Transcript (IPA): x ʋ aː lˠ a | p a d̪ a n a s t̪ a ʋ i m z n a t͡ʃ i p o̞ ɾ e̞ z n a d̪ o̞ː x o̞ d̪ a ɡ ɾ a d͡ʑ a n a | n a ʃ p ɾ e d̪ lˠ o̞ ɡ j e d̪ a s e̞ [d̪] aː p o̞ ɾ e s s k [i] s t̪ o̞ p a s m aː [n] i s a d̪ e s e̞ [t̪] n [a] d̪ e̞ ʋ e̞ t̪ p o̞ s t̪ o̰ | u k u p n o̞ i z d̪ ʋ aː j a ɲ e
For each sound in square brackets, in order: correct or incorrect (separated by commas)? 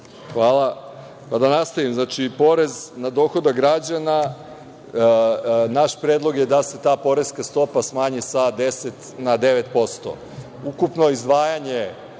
incorrect, incorrect, incorrect, correct, correct